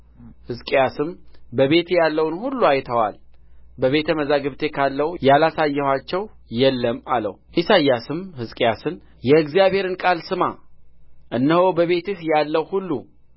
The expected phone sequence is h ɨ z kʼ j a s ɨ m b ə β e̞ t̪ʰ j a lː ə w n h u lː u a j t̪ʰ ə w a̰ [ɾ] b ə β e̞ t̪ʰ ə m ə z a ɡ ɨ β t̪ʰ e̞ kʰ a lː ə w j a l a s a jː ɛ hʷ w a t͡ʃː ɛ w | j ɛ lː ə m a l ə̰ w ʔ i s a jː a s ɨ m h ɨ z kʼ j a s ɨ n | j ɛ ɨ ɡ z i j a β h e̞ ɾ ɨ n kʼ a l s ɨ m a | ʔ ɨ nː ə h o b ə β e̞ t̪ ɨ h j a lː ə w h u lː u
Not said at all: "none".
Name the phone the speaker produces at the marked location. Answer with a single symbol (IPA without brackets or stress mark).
l